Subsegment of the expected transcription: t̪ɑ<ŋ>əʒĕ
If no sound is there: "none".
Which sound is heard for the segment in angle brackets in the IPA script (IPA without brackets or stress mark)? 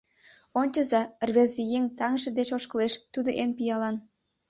ŋ